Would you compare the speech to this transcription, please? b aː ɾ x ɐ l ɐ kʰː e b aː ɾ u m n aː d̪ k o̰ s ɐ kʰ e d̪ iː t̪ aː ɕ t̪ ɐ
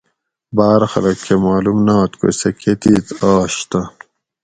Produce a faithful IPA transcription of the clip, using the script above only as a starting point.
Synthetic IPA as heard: b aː ɾ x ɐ l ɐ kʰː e m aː l u m n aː t̪ k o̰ s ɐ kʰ e t̪ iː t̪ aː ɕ t̪ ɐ